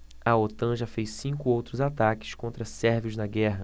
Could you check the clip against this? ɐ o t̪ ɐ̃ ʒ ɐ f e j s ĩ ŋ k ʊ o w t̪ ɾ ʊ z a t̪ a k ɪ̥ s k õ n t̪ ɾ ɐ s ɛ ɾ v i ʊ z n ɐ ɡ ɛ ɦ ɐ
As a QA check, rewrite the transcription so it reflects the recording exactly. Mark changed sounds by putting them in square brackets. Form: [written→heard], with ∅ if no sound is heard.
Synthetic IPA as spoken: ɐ o t̪ ɐ̃ ʒ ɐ f e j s ĩ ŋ k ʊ o w t̪ ɾ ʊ z a t̪ a k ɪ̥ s k õ n t̪ ɾ ɐ s ɛ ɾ v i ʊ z n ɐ ɡ ɛ ɦ ɐ